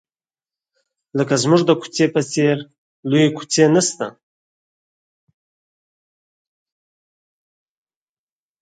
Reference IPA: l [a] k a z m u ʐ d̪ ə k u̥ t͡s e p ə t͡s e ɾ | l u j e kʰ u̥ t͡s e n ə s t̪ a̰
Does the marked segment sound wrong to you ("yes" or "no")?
yes